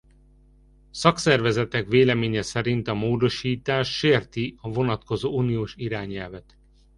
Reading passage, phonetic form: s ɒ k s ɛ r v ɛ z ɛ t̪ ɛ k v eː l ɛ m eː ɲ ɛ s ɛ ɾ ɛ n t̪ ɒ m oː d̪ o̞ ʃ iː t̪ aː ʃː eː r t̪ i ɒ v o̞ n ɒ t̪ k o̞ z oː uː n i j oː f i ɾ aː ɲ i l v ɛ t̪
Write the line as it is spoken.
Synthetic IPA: s ɒ k s ɛ r v ɛ z ɛ t̪ ɛ k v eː l ɛ m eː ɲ ɛ s ɛ ɾ i n t̪ ɒ m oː d̪ o̞ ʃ iː t̪ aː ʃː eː r t̪ i ɒ v o̞ n ɒ t̪ k o̞ z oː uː n i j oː ʃ i ɾ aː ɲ ɛ l v ɛ t̪